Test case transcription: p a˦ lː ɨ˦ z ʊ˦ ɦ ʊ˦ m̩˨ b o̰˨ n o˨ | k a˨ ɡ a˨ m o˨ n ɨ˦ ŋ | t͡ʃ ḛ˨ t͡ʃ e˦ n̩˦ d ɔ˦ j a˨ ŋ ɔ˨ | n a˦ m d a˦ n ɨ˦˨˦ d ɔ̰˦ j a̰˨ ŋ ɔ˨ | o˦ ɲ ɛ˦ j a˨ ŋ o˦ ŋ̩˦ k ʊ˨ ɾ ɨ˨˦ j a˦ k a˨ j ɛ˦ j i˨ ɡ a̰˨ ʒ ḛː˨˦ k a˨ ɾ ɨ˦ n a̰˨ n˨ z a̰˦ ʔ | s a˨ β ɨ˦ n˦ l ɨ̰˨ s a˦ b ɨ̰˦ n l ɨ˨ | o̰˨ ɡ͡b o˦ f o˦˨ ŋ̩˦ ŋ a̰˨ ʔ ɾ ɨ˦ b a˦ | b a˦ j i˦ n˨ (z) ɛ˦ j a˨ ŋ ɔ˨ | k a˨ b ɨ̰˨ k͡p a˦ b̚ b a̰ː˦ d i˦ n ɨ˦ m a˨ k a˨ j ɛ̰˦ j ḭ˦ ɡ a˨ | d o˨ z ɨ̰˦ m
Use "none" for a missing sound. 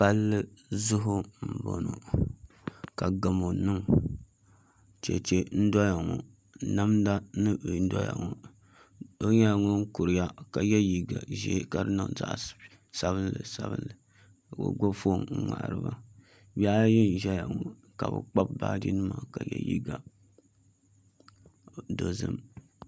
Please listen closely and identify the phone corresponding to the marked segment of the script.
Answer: ʒ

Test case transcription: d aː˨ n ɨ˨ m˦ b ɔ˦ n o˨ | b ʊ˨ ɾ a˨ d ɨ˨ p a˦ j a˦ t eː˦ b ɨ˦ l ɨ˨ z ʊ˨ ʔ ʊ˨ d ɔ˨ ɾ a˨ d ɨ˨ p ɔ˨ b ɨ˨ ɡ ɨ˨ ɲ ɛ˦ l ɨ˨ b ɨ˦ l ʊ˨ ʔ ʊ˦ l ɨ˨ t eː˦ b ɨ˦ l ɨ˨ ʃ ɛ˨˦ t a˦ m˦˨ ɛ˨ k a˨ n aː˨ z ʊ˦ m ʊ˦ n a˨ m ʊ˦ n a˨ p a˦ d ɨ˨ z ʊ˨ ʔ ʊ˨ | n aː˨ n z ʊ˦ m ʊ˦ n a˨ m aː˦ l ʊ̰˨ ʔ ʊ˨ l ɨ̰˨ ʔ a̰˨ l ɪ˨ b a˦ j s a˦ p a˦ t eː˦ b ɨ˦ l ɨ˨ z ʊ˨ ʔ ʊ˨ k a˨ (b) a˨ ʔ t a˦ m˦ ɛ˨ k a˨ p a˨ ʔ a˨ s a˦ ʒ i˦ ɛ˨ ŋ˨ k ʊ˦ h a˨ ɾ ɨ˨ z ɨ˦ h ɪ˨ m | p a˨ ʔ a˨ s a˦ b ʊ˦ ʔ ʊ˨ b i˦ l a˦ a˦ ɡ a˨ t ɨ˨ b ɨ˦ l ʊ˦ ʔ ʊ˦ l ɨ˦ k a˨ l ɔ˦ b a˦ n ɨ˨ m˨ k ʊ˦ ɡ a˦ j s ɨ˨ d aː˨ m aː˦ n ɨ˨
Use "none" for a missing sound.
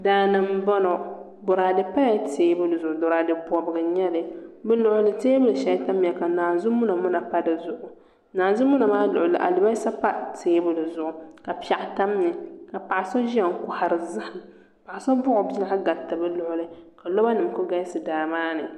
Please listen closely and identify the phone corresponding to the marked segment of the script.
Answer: p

